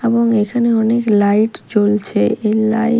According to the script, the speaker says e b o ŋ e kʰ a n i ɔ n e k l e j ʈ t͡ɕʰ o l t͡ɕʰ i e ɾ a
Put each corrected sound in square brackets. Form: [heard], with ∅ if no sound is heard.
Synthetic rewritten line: e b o ŋ e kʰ a n [e] ɔ n e k l [a] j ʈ [t͡ɕ] o l t͡ɕʰ [e] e [l] a

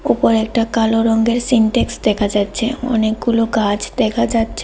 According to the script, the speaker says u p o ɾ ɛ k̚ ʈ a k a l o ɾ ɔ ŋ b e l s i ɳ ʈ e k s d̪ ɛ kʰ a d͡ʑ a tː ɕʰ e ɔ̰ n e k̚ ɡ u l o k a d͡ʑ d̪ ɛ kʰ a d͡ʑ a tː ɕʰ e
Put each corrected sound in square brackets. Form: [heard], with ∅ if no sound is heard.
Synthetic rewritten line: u p o ɾ ɛ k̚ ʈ a k a l o ɾ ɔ ŋ [ɡ] e [ɾ] s i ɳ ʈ e k s d̪ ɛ kʰ a d͡ʑ a tː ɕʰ e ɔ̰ n e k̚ ɡ u l o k a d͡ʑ d̪ ɛ kʰ a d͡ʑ a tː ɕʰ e

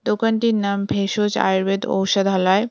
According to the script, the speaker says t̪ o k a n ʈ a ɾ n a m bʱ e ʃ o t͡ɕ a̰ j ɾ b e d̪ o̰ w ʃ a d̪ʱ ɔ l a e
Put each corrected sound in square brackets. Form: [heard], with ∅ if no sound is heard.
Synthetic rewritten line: [d̪] o k a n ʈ [i] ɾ n a m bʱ e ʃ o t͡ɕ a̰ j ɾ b e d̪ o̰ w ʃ a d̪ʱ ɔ l a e

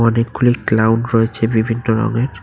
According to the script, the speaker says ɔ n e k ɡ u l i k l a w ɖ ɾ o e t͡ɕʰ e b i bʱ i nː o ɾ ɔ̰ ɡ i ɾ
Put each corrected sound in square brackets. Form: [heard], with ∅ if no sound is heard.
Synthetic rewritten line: ɔ n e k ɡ u l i k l a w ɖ ɾ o e t͡ɕʰ e b i bʱ i nː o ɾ ɔ̰ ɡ [e] ɾ

